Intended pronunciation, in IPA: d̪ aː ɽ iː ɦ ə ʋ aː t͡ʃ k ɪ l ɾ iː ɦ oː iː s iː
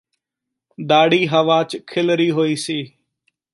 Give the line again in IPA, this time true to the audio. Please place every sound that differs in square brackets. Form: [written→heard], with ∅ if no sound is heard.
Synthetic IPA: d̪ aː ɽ iː ɦ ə ʋ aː t͡ʃ [k→kʰ] ɪ l ɾ iː ɦ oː iː s iː